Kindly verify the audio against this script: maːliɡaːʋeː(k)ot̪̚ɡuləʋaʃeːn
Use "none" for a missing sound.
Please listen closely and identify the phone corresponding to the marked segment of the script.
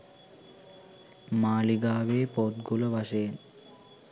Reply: p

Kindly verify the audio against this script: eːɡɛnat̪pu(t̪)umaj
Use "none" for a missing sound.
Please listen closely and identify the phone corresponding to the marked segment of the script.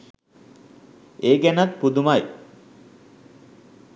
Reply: d̪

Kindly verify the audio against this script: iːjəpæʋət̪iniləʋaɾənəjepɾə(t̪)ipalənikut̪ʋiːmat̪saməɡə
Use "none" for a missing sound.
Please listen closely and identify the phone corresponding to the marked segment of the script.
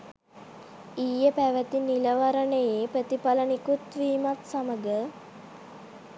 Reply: t̪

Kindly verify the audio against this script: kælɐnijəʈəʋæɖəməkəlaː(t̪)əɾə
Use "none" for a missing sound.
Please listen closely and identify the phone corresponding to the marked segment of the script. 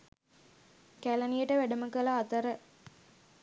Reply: t̪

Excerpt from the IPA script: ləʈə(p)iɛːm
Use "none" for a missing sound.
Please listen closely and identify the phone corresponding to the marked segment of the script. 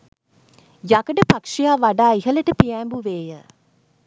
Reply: p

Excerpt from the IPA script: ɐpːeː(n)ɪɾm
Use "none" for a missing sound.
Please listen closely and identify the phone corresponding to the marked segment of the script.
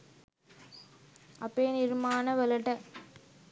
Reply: n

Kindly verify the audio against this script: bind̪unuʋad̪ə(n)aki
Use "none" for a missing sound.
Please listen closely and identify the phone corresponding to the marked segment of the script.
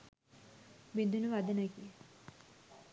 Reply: n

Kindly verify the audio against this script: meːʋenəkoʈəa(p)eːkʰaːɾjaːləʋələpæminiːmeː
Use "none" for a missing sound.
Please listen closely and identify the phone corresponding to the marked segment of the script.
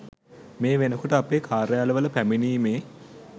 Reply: p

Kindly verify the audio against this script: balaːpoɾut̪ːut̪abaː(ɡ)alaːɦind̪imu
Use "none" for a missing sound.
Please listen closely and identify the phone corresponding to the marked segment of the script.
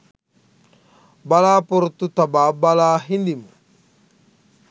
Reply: b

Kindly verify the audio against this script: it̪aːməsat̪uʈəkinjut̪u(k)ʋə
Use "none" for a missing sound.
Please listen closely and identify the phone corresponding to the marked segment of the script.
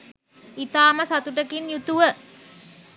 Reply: none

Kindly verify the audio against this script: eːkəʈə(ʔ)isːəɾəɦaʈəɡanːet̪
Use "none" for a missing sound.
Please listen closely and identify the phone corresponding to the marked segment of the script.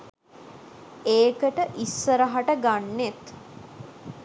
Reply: ʔ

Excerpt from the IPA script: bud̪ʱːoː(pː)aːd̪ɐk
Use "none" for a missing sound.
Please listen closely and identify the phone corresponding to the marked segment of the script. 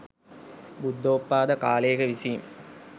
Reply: pː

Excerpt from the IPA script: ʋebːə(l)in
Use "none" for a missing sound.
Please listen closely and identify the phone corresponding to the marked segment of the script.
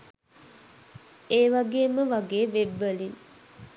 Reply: l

